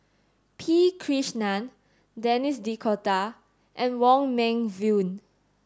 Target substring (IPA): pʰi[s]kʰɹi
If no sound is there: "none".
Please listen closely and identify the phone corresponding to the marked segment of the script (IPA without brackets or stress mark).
none